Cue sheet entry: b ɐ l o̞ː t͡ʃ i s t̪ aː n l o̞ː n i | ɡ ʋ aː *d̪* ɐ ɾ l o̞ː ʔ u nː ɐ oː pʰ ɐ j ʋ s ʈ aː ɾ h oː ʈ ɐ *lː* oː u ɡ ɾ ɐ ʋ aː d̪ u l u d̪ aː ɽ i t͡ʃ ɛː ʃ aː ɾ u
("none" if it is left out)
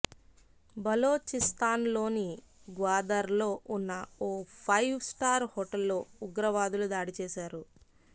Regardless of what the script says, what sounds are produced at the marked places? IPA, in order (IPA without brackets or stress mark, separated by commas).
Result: d̪, lː